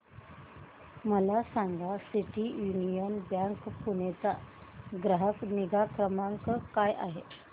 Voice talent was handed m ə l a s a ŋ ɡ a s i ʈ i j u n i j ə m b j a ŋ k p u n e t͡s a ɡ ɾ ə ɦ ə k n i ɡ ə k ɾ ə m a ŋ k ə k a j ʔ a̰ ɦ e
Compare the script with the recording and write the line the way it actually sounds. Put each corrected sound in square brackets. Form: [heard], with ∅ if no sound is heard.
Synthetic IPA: m ə l a s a ŋ ɡ a s i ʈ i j u n i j ə [n] b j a ŋ k p u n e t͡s a ɡ ɾ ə ɦ ə k n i ɡ [a] k ɾ ə m a ŋ k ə k a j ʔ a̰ ɦ e